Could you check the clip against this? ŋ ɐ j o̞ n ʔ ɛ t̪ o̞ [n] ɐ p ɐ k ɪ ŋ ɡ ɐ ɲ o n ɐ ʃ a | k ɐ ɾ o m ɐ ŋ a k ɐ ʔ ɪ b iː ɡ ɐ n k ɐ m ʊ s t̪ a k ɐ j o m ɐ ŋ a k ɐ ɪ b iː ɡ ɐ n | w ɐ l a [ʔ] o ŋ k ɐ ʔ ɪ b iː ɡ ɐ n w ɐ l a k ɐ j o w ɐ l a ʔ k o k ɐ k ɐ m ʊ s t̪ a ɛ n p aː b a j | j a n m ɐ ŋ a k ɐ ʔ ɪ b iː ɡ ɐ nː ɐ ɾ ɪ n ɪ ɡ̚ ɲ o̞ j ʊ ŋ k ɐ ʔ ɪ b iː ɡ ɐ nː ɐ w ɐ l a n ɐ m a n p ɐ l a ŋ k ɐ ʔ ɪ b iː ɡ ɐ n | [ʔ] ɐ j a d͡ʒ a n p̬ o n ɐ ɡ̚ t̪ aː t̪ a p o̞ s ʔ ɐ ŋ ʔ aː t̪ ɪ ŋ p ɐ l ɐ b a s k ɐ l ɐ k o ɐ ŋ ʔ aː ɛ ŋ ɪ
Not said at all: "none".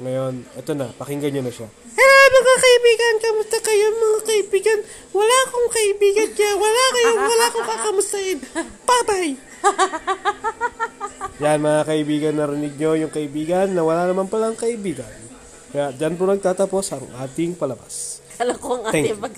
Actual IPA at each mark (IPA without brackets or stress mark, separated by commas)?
n, k, k